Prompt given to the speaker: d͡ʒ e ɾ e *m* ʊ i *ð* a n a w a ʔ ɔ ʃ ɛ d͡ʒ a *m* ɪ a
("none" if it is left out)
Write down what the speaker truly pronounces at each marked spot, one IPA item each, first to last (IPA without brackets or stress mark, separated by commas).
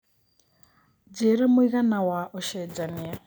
m, ɣ, n